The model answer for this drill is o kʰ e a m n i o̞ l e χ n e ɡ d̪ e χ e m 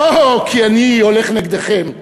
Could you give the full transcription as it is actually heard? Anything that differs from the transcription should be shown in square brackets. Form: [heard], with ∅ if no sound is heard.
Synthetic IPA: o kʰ [i] a [∅] n i o̞ l e χ n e ɡ d̪ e χ e m